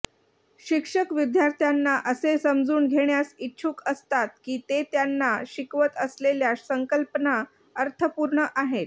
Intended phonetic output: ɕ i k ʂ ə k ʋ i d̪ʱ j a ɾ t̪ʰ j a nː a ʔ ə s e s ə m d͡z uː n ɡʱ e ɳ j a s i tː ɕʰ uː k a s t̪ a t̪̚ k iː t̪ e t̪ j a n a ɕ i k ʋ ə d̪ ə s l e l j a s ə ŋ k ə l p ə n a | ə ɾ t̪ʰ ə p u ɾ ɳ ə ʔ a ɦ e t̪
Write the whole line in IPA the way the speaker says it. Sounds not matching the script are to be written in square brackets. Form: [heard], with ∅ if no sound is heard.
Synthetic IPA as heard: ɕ i k ʂ ə k ʋ i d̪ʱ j a ɾ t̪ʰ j a nː a ʔ ə s e s ə m d͡z uː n ɡʱ e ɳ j a s i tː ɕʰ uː k [ə] s t̪ a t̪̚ k iː t̪ e t̪ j a [nː] a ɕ i k ʋ ə [t̪] ə s l e l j a s ə ŋ k ə l p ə n a | ə ɾ t̪ʰ ə p u ɾ ɳ ə ʔ a ɦ e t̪